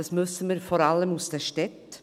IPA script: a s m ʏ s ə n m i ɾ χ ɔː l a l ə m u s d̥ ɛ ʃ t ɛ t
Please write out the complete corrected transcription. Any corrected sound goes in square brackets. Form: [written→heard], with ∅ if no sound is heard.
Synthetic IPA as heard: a s m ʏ s ə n m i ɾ [χ→f] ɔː [l→ɾ] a l ə m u s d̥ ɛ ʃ t ɛ t

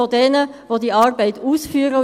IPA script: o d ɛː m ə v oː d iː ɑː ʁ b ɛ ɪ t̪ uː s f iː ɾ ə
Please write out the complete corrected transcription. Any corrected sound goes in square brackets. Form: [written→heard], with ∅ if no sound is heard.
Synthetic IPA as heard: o d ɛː [m→n] ə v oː d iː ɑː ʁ b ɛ ɪ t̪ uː s f [iː→yː] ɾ ə

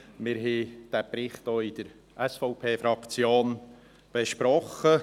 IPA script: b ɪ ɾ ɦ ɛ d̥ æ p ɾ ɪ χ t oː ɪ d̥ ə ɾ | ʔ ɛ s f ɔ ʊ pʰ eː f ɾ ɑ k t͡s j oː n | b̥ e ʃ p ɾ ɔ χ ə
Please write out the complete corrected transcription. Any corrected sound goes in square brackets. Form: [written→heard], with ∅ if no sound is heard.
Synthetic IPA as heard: [b→m] ɪ ɾ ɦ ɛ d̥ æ p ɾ ɪ χ t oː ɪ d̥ ə ɾ | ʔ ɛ s f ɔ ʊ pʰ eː f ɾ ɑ k t͡s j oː n | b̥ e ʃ p ɾ ɔ χ ə

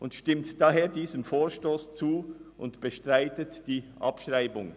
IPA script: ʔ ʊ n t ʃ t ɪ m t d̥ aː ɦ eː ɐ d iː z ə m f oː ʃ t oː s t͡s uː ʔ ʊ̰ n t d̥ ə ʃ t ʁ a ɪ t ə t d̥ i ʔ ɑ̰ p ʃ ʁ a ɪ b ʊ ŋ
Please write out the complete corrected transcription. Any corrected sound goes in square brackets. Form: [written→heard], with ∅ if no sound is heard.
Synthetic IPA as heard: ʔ ʊ n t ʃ t ɪ m t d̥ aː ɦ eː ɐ d iː z ə m f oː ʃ t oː s t͡s uː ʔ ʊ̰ n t [d̥→b̥] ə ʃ t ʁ a ɪ t ə t d̥ [i→iː] ʔ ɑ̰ p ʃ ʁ a ɪ b ʊ ŋ

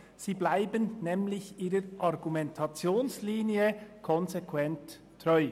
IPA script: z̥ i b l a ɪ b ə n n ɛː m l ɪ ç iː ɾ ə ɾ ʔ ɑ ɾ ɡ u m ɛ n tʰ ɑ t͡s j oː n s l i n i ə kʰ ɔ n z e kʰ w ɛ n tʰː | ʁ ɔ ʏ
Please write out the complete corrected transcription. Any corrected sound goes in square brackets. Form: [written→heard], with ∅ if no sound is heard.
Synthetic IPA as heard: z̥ [i→iː] b l a ɪ b ə n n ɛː m l ɪ ç iː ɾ ə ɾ ʔ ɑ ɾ ɡ u m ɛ n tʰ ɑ t͡s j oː n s l [i→iː] n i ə kʰ ɔ n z e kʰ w ɛ n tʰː | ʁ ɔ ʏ

